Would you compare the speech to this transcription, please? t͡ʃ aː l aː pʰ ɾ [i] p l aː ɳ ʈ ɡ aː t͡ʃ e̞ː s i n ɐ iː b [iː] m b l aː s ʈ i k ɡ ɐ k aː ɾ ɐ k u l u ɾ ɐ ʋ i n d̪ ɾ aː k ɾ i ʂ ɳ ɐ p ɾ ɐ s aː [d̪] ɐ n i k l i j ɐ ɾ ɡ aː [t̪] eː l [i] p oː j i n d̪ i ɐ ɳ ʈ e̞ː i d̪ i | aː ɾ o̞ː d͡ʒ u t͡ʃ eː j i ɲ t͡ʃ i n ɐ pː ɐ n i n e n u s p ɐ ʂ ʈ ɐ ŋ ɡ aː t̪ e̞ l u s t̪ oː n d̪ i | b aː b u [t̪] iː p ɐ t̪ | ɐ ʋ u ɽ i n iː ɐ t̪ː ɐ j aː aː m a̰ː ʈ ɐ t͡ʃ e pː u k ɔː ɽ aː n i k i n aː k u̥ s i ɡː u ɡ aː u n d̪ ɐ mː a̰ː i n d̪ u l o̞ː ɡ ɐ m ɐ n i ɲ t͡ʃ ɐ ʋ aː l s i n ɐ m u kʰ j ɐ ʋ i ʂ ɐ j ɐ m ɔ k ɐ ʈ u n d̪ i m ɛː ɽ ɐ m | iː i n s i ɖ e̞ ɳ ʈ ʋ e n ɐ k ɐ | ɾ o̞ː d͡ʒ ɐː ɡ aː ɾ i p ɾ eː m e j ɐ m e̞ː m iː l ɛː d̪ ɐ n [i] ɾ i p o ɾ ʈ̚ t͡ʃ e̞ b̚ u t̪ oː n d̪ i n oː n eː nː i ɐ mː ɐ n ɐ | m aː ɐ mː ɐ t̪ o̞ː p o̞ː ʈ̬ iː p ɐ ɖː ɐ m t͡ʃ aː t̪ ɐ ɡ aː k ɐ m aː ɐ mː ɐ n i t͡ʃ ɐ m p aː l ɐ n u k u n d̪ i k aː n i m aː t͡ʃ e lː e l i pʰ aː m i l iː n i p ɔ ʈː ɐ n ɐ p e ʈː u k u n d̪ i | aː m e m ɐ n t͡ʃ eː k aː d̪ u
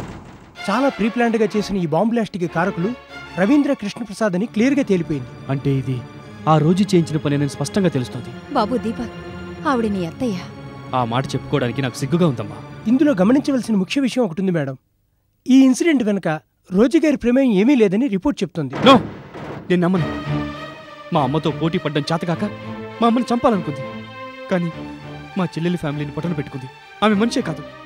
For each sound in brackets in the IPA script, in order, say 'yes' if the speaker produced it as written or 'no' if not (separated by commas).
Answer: no, no, yes, yes, yes, no, yes